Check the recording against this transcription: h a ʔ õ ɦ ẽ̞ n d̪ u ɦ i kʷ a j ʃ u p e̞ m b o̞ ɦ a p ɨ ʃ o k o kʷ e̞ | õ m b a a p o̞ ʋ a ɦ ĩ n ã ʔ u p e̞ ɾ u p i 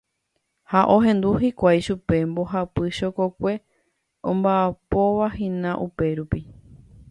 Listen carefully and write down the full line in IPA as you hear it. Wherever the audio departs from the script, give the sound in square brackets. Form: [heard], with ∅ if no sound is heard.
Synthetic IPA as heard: h a ʔ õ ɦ ẽ̞ n d̪ u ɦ i kʷ a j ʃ u p e̞ m b o̞ ɦ a p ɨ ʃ o k o kʷ e̞ | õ m b a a p o̞ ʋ a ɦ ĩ n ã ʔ u p e̞ ɾ u p i